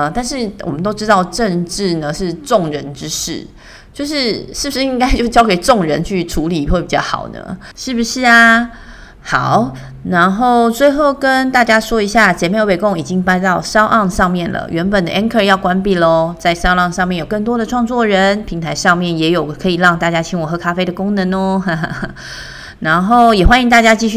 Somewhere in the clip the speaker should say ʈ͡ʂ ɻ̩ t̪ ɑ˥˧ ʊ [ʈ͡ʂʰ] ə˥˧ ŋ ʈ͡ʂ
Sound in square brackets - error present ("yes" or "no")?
yes